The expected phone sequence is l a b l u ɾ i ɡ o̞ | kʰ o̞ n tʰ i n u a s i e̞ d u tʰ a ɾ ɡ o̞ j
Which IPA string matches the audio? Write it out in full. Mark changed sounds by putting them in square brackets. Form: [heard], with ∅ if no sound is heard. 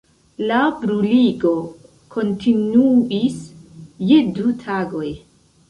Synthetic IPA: l a b [ɾ] u [l] i ɡ o̞ | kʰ o̞ n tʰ i n u [i] s [j] e̞ d u tʰ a [∅] ɡ o̞ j